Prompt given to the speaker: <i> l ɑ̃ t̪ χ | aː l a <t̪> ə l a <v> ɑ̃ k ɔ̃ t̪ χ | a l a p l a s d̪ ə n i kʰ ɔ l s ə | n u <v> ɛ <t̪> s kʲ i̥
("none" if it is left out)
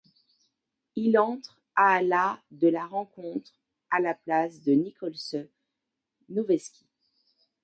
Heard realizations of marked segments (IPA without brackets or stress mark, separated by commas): i, d̪, ʁ, v, none